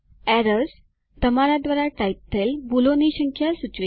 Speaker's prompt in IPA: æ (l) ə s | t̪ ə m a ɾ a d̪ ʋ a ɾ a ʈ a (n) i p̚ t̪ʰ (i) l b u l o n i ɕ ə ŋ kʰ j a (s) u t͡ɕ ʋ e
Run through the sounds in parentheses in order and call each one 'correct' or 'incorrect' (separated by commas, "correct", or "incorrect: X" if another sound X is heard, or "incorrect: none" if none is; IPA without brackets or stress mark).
incorrect: ɾ, incorrect: none, incorrect: e, correct